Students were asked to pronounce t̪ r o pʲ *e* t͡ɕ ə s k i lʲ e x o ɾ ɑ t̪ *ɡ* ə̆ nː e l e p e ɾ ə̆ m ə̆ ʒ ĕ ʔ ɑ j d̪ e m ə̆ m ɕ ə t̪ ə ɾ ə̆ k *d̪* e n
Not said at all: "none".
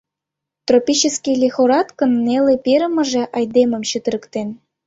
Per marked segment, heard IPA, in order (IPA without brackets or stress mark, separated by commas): i, k, t̪